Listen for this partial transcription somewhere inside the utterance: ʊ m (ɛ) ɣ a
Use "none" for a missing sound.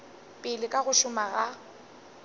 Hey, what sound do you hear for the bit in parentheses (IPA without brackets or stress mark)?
a